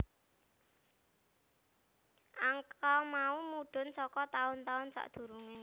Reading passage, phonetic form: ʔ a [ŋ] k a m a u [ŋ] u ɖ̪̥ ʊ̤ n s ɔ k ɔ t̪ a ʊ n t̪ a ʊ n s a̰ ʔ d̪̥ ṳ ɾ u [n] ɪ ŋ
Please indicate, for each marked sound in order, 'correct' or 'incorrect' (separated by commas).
correct, incorrect, incorrect